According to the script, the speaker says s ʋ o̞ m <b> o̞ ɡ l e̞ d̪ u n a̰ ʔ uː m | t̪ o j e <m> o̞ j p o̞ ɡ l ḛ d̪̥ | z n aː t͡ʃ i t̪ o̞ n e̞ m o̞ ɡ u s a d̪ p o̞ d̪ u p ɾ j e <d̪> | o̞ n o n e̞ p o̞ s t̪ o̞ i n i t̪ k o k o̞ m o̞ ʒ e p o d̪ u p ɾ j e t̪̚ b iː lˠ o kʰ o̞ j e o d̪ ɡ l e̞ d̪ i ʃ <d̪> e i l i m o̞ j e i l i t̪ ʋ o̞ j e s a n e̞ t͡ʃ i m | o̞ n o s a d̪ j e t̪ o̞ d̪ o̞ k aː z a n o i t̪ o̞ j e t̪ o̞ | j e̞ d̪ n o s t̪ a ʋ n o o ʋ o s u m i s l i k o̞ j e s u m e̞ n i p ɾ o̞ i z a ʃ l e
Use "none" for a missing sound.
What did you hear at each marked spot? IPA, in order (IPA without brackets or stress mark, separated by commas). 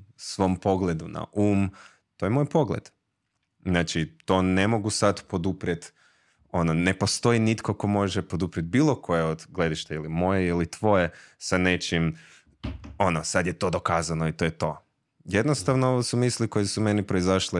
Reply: p, m, t̪, t̪